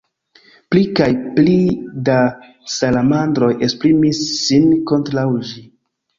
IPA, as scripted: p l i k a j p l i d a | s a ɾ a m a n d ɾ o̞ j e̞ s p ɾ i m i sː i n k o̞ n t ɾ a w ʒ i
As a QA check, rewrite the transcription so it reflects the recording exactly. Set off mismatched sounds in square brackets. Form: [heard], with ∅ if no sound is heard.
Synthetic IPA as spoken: p l i k a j p l i d a | s a [l] a m a n d ɾ o̞ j e̞ s p ɾ i m i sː i n k o̞ n t ɾ a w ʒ i